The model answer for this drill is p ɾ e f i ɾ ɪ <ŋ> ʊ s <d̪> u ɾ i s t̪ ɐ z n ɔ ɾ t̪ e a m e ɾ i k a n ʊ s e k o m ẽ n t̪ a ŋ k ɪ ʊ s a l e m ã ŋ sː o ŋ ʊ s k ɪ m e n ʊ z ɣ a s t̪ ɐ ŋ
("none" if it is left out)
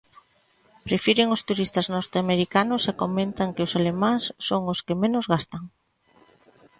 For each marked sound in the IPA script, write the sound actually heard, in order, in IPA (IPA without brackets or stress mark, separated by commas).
ŋ, t̪